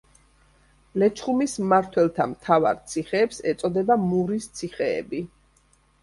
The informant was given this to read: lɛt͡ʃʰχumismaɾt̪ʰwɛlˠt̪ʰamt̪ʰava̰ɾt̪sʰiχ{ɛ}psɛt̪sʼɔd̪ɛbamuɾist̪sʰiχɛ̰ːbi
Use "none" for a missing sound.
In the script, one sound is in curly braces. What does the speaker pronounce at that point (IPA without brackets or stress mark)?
ɛː